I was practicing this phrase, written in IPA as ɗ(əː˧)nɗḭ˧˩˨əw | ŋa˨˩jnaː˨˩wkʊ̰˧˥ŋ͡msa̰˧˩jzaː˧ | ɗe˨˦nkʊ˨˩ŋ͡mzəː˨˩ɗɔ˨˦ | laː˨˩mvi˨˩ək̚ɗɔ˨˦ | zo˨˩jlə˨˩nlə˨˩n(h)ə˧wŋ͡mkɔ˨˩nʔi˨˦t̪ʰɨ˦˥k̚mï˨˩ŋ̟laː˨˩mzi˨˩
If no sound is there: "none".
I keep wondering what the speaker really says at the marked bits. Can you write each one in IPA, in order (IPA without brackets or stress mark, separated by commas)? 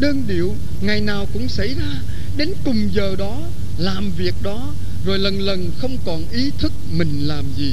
əː˧, x